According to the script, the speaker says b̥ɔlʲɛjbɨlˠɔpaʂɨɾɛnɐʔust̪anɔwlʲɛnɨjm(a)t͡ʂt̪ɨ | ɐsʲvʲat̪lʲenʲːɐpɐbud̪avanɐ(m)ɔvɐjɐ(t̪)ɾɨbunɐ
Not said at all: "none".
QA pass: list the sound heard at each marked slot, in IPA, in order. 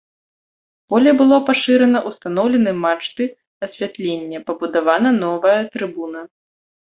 a, n, t̪

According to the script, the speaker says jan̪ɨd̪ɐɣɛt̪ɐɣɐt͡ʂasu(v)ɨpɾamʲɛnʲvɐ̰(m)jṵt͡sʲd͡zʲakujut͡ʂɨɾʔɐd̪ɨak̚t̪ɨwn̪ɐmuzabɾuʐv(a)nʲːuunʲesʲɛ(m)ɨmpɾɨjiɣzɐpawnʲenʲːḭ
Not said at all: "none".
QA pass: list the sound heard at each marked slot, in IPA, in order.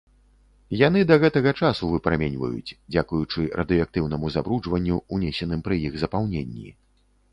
v, none, ɐ, n

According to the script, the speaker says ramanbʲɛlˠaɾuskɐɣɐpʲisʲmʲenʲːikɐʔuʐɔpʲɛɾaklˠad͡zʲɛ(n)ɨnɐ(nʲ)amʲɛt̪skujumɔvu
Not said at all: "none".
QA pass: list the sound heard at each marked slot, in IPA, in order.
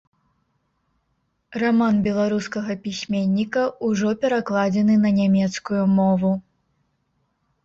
n, nʲ

